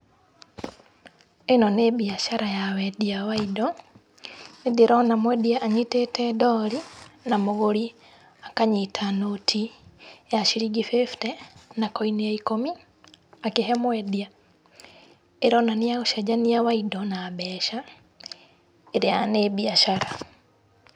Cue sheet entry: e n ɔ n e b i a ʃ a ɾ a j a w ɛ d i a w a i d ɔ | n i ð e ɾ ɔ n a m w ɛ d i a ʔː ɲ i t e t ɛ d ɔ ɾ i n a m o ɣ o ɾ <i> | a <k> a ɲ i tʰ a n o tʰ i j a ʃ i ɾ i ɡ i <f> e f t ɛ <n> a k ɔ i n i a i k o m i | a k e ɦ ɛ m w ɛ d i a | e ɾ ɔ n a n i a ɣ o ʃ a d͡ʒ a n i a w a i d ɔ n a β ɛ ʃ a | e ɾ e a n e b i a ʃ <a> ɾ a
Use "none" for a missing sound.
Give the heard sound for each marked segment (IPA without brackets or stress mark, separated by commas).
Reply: i, k, f, n, a